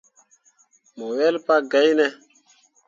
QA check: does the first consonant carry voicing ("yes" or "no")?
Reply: yes